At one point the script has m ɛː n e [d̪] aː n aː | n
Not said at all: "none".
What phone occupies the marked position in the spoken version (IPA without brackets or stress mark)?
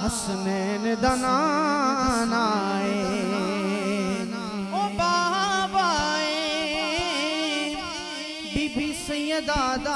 d̪